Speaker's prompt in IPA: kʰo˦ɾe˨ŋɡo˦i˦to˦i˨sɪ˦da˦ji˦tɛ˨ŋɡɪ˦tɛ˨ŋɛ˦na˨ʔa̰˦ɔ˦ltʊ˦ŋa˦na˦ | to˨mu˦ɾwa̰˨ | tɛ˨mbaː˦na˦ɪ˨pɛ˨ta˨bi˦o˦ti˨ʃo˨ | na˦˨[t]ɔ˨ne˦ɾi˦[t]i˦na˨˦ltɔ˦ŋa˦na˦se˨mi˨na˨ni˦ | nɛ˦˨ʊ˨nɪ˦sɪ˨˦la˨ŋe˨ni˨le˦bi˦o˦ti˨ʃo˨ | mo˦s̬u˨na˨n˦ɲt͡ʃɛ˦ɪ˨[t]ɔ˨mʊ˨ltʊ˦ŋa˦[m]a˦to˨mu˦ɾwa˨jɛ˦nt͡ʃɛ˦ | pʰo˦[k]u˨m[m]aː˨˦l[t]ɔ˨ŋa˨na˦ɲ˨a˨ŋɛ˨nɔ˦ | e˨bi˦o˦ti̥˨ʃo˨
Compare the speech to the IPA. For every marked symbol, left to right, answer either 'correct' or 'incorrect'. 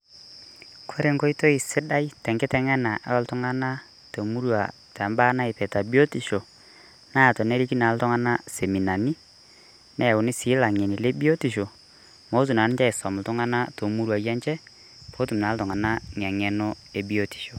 correct, incorrect, incorrect, incorrect, incorrect, incorrect, correct

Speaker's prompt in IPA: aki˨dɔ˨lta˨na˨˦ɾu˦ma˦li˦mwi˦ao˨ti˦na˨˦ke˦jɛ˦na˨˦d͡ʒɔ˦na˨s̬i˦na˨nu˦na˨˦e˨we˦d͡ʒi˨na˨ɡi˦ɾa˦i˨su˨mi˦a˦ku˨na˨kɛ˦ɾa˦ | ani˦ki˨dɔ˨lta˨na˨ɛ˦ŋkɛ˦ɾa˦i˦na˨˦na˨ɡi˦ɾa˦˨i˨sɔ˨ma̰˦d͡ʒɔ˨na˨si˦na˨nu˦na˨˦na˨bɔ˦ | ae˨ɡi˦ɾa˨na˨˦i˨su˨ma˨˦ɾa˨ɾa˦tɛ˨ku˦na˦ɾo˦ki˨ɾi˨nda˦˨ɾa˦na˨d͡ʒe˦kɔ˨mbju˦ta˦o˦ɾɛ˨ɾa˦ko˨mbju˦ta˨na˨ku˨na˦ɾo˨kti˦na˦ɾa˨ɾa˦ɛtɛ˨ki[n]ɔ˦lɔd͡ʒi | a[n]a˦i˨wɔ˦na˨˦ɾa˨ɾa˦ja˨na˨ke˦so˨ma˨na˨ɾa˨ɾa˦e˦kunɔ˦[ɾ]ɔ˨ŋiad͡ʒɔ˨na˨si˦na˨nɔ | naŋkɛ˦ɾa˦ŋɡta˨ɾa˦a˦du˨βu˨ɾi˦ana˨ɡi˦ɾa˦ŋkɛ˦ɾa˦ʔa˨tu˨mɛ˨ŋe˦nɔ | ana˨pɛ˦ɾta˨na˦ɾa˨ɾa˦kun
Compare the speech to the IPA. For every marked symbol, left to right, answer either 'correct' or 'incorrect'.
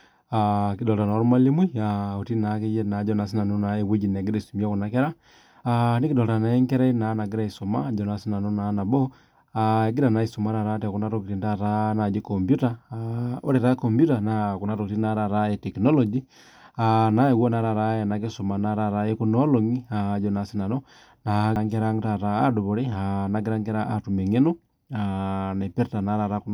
correct, correct, incorrect

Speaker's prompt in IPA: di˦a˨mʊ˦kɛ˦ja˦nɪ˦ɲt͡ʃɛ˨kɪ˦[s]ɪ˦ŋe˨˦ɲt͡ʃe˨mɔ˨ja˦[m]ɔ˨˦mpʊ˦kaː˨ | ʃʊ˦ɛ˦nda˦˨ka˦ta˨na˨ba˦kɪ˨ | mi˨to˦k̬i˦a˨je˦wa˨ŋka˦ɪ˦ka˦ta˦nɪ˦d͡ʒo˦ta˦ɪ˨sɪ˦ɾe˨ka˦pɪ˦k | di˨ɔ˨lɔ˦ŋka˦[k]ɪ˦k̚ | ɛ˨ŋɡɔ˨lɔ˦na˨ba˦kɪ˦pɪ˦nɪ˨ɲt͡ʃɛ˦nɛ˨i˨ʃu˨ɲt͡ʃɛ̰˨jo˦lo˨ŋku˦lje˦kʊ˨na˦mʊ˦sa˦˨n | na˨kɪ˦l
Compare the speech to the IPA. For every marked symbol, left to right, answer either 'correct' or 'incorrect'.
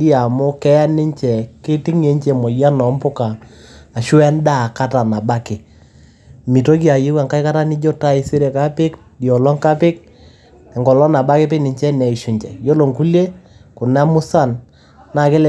incorrect, incorrect, incorrect

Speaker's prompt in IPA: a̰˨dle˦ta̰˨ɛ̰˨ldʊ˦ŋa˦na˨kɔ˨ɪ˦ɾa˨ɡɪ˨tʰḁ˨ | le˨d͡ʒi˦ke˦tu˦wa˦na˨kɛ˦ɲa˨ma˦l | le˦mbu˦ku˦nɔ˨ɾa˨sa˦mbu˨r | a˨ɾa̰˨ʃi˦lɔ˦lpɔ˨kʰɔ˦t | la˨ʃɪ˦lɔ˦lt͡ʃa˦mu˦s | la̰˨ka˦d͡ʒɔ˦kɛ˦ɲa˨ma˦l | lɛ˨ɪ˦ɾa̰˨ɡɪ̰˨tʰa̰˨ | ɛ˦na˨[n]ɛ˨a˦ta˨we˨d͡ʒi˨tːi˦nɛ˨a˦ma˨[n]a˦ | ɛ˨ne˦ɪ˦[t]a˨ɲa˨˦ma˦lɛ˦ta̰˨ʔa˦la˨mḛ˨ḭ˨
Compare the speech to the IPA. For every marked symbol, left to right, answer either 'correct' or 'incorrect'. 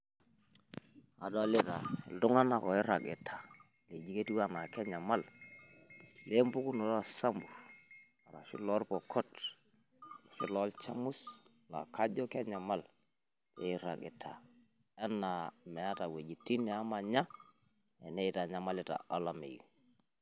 incorrect, incorrect, correct

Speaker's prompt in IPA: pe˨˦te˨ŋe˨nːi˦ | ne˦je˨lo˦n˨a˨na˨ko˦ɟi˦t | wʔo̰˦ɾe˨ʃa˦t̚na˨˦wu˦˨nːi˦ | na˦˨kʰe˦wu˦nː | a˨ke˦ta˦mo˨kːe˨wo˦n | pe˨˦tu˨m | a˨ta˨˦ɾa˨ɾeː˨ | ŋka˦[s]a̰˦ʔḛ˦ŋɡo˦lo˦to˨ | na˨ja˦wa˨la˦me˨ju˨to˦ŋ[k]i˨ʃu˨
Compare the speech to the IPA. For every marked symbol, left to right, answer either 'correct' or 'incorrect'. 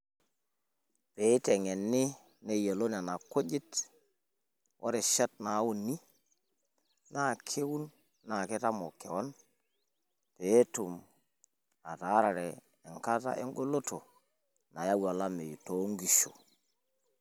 incorrect, incorrect

